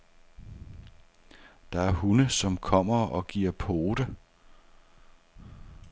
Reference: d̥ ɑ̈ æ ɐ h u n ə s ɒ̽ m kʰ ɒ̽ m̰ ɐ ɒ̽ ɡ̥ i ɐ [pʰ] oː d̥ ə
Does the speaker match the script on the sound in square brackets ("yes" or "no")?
yes